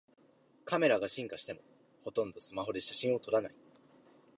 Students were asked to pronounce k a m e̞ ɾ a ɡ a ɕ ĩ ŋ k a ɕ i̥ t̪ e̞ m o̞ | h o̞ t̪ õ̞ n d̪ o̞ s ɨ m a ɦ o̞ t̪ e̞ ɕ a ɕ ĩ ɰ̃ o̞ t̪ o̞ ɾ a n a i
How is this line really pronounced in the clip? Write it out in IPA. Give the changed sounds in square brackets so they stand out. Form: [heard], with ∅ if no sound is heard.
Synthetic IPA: k a m e̞ ɾ a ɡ a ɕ ĩ ŋ k a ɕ i̥ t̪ e̞ m o̞ | h o̞ t̪ õ̞ n d̪ o̞ s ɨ m a ɦ o̞ [d̪] e̞ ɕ a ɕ ĩ ɰ̃ o̞ t̪ o̞ ɾ a n a i